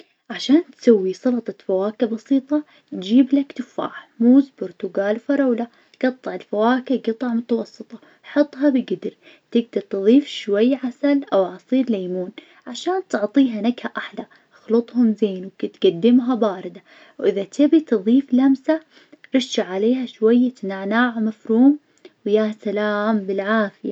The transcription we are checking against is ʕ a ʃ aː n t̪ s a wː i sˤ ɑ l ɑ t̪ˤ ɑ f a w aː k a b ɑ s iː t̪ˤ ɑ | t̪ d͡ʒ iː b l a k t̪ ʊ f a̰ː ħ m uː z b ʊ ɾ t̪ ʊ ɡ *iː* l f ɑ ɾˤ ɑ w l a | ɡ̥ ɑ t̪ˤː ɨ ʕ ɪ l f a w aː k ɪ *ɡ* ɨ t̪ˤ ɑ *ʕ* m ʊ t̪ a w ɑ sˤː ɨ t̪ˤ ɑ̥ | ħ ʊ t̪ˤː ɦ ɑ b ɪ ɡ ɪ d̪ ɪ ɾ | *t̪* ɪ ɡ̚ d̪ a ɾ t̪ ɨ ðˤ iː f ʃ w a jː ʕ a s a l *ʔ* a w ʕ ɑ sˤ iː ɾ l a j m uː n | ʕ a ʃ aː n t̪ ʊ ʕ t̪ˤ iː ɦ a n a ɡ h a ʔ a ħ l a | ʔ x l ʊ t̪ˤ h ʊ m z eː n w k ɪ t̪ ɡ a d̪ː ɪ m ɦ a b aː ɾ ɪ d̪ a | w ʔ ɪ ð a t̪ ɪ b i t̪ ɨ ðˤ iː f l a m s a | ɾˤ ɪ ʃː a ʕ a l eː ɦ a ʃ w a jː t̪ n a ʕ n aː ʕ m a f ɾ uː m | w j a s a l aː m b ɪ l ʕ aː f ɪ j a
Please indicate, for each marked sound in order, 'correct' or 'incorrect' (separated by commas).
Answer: incorrect, correct, correct, correct, correct